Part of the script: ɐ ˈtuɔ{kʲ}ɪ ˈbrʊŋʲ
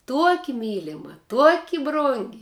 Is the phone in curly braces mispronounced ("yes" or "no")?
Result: no